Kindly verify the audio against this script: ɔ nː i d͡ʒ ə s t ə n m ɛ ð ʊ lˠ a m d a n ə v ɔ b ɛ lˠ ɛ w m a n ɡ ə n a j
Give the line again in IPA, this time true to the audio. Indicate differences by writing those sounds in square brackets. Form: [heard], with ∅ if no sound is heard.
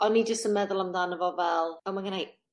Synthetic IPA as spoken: ɔ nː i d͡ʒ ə s t ə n m ɛ ð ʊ lˠ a m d a n ə v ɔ [v] ɛ lˠ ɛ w m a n ɡ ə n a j